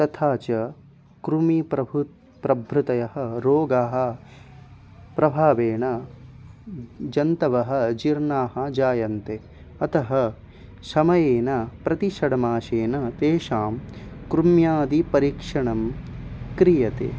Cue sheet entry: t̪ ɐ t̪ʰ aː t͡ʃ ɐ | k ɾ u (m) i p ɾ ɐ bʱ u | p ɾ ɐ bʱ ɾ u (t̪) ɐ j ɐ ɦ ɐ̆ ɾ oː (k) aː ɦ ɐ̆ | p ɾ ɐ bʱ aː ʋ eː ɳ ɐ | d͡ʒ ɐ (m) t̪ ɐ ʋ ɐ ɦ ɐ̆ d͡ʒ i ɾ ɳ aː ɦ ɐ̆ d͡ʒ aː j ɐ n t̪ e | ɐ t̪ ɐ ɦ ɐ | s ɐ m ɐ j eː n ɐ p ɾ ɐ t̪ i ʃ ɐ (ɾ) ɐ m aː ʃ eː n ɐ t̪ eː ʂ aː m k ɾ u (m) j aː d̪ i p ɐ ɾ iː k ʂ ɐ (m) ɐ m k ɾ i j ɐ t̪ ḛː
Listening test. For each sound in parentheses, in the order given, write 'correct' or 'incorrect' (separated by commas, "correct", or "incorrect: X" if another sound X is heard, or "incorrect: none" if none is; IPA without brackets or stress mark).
correct, correct, incorrect: ɡ, incorrect: n, incorrect: ɽ, correct, incorrect: ɳ